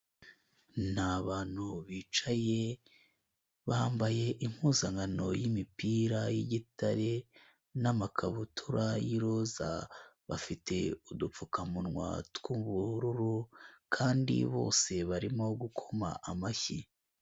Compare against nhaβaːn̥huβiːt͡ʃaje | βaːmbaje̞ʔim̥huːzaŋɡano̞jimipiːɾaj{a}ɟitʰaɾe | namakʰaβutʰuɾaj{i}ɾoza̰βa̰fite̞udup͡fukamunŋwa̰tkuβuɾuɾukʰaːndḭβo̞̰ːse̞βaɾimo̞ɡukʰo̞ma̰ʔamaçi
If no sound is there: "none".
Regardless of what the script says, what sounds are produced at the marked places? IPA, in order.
i, i

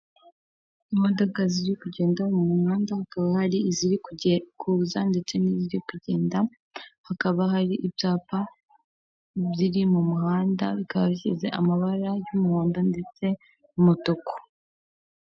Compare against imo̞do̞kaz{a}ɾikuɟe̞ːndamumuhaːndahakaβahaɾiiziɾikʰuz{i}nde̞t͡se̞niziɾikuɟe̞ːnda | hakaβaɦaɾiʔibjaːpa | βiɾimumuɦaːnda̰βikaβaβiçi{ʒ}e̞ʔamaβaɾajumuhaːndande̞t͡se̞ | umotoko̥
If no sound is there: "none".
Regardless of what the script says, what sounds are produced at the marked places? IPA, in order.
i, a, z

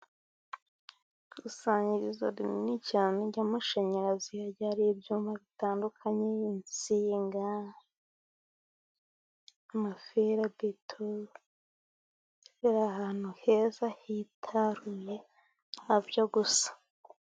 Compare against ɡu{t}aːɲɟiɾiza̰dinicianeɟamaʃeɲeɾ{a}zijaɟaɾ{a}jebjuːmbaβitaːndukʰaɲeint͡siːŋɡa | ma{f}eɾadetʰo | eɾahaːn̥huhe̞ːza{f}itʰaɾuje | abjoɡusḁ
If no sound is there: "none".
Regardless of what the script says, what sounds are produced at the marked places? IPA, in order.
s, a, i, f, h

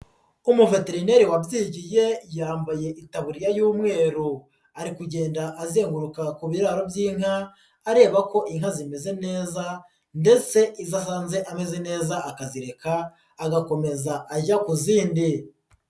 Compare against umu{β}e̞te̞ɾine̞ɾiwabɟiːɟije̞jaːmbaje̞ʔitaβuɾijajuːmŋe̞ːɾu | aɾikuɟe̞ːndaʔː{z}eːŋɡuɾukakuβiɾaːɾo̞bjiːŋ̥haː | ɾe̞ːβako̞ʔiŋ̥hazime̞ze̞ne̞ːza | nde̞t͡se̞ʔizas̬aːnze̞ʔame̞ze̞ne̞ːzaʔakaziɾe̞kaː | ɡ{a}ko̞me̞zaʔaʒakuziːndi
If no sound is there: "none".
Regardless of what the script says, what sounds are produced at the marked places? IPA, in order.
v, z, a

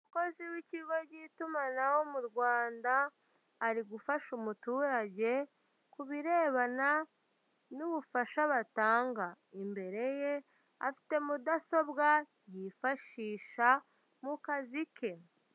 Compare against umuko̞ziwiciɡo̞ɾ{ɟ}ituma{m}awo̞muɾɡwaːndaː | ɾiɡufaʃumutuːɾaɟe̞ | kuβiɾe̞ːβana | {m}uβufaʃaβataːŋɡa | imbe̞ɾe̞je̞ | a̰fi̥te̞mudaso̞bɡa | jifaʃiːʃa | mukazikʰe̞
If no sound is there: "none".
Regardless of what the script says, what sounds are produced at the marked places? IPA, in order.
ɟ, n, n

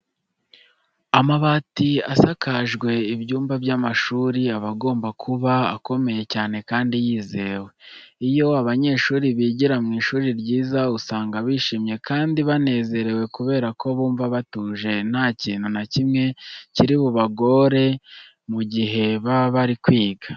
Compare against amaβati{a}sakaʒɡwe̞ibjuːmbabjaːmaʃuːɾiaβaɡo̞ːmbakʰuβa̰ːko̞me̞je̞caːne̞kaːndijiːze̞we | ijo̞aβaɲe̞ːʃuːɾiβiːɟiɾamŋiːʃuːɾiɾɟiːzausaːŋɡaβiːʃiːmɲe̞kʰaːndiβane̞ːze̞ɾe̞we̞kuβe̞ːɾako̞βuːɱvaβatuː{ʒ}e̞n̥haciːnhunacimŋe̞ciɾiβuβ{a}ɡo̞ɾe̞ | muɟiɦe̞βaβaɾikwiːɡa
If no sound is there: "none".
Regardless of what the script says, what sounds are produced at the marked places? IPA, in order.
a, ʒ, a

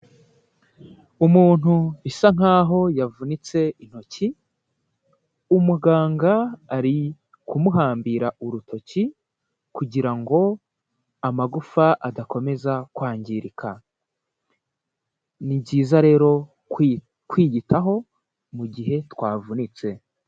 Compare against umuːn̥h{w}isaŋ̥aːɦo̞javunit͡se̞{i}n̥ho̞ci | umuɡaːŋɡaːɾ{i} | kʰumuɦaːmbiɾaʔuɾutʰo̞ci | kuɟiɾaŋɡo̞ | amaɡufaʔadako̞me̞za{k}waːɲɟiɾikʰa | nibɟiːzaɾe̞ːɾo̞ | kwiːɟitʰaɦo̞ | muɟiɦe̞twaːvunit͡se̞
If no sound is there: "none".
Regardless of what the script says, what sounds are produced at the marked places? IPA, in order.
u, i, i, k

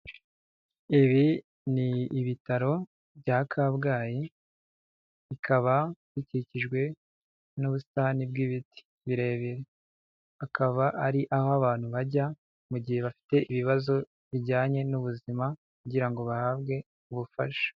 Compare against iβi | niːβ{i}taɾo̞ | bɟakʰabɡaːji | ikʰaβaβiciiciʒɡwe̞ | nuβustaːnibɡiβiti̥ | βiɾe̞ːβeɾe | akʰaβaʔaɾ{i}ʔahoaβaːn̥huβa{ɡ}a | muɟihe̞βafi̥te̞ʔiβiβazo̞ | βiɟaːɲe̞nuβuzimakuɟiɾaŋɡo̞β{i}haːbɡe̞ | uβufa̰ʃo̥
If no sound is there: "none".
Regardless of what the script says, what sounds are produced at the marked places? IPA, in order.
i, i, ɟ, a

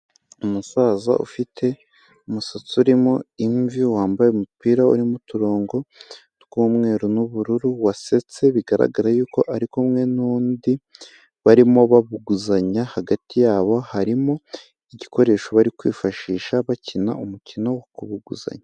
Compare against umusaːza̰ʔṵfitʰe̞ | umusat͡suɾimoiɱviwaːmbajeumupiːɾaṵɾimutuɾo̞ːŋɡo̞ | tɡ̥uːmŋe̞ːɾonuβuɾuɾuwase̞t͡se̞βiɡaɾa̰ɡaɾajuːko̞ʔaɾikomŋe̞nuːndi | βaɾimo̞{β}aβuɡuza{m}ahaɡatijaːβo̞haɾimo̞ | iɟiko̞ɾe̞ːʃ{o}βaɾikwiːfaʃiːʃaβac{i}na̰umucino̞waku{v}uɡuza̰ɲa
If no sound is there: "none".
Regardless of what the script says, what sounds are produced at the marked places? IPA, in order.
β, ɲ, o, i, β

